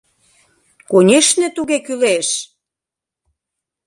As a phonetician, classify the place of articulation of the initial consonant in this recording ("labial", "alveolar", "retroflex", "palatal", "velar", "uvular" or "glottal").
velar